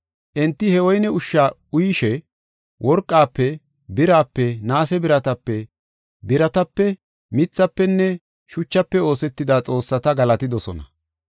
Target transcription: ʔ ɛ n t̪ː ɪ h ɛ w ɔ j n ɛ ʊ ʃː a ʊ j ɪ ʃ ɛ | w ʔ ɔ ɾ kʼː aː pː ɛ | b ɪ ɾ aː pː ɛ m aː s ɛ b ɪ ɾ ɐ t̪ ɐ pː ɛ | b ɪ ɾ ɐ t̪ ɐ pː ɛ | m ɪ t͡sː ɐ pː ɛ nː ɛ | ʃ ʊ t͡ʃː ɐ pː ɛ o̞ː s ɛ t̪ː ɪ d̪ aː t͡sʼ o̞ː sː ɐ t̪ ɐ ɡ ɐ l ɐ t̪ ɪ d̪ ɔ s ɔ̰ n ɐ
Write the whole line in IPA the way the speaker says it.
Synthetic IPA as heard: ʔ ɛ n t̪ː ɪ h ɛ w ɔ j n ɛ ʊ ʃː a ʊ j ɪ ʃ ɛ | w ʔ ɔ ɾ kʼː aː pː ɛ | b ɪ ɾ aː pː ɛ n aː s ɛ b ɪ ɾ ɐ t̪ ɐ pː ɛ | b ɪ ɾ ɐ t̪ ɐ pː ɛ | m ɪ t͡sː ɐ pː ɛ nː ɛ | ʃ ʊ t͡ʃː ɐ pː ɛ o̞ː s ɛ t̪ː ɪ d̪ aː t͡sʼ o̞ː sː ɐ t̪ ɐ ɡ ɐ l ɐ t̪ ɪ d̪ ɔ s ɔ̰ n ɐ